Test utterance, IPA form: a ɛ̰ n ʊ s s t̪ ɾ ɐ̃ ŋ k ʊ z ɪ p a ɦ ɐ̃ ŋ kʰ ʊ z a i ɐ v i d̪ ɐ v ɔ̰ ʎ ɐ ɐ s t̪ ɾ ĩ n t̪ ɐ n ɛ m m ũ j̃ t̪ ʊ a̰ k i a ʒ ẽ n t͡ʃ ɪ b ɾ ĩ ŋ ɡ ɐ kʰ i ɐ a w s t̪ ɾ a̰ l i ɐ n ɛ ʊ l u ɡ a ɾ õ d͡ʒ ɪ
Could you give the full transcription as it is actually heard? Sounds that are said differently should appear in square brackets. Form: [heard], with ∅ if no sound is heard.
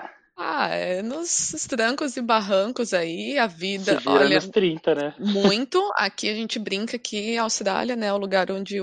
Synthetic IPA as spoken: a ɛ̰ n ʊ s s t̪ ɾ ɐ̃ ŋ k ʊ z ɪ [b] a ɦ ɐ̃ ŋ [k] ʊ z a i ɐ v i d̪ ɐ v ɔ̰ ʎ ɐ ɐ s t̪ ɾ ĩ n t̪ ɐ n ɛ m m ũ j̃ t̪ ʊ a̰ k i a ʒ ẽ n t͡ʃ ɪ b ɾ ĩ ŋ [k] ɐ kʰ i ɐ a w s t̪ ɾ a̰ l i ɐ n ɛ ʊ l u ɡ a ɾ õ d͡ʒ ɪ